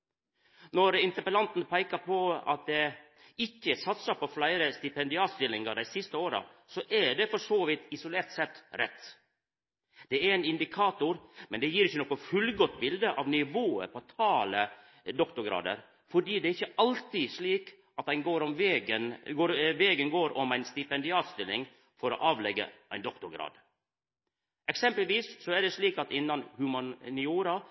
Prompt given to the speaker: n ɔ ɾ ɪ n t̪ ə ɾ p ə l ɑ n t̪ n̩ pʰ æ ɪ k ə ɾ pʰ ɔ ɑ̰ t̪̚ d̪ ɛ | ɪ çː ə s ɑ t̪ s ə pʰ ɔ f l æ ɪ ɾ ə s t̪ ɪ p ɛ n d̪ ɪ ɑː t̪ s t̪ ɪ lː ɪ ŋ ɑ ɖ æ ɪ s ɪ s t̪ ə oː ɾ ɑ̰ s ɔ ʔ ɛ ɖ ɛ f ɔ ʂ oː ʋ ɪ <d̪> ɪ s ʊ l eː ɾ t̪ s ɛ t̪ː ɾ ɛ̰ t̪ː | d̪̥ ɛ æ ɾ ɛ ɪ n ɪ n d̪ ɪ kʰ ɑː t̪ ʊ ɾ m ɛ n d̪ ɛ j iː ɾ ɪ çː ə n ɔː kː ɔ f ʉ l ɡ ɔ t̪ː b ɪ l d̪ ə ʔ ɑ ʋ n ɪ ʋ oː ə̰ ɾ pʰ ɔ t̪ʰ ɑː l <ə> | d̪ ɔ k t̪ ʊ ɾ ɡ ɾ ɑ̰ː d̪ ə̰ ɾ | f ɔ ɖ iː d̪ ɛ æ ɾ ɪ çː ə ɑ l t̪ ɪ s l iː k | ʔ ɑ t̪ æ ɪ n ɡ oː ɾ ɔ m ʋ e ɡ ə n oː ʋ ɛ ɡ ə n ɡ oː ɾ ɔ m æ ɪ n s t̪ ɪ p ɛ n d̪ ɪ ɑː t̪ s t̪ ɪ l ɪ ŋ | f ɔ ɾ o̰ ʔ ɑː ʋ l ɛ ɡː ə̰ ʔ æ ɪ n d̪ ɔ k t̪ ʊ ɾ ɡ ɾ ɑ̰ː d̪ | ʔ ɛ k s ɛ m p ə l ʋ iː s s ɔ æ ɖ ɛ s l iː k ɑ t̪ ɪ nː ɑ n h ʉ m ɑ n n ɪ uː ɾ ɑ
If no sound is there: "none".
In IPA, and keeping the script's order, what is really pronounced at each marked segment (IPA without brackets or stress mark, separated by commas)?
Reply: t̪, ə